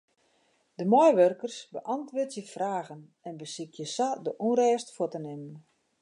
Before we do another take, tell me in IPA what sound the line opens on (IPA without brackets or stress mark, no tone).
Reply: d